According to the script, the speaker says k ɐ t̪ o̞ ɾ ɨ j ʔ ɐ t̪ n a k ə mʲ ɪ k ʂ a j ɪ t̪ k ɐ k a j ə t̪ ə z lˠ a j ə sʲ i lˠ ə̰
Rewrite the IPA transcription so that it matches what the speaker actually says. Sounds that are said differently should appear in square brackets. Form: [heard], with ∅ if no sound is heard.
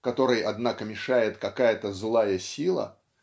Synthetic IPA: k ɐ t̪ o̞ ɾ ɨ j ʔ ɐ [d̪] n a k ə mʲ ɪ [∅] ʂ a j ɪ t̪ k ɐ k a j ə t̪ ə z lˠ a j ə sʲ i lˠ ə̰